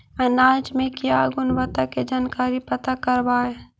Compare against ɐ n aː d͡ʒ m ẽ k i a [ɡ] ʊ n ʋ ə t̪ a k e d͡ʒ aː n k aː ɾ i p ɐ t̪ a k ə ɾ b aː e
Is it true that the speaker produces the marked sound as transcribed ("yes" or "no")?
yes